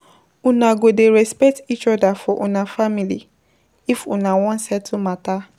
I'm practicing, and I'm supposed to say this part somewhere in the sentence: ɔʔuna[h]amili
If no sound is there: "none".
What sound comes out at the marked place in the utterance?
f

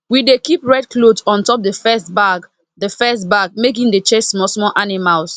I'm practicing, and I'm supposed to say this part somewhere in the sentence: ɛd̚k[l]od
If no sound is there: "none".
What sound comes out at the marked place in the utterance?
l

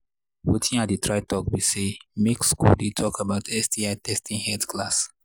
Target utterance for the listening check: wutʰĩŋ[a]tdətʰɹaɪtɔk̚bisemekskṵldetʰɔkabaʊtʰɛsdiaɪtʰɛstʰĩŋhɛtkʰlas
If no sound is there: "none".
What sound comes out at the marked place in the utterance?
a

